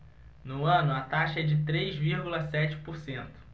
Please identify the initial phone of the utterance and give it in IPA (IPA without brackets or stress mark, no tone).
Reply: n